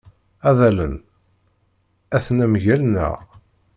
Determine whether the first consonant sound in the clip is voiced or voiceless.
voiced